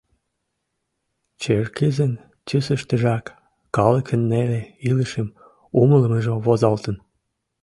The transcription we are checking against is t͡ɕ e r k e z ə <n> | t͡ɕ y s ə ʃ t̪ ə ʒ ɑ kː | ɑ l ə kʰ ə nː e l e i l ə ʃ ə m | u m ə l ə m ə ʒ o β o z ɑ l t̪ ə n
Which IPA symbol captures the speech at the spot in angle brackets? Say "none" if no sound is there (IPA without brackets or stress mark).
n